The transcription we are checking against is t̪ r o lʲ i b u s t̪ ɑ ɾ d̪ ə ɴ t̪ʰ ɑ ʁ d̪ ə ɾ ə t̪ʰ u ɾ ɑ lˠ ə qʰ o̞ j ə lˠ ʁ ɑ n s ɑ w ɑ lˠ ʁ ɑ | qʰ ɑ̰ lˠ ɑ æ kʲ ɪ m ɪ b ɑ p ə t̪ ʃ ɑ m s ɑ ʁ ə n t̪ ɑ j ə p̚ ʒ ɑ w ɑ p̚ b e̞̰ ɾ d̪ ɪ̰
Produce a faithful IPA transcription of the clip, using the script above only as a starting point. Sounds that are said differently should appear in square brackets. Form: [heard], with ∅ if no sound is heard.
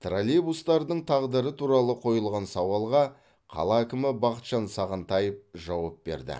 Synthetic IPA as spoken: t̪ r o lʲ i b u s t̪ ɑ ɾ d̪ ə ɴ t̪ʰ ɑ ʁ d̪ ə ɾ ə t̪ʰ u ɾ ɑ lˠ ə qʰ o̞ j ə lˠ ʁ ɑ n s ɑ w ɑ lˠ ʁ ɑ | qʰ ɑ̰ lˠ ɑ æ kʲ ɪ m ɪ b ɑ [q] ə t̪ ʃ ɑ [n] s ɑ ʁ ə n t̪ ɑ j ə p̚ ʒ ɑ w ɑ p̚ b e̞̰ ɾ d̪ ɪ̰